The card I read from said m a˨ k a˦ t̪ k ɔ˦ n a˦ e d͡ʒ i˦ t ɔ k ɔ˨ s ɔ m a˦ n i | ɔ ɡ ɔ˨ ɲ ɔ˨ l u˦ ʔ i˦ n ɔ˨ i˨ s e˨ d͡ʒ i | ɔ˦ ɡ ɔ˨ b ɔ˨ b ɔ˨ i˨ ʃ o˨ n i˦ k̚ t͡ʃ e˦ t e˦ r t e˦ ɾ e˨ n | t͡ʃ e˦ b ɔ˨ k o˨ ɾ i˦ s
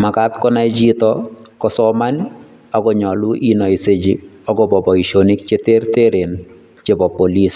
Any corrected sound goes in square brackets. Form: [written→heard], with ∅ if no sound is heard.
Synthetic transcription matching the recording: m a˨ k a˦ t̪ k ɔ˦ n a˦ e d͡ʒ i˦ t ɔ k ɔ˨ s ɔ m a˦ n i | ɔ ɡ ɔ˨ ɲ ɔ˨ l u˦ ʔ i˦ n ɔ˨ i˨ s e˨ d͡ʒ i | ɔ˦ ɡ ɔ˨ b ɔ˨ b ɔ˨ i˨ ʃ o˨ n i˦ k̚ t͡ʃ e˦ t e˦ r t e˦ ɾ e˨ n | t͡ʃ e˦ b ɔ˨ [k→p] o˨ [ɾ→l] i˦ s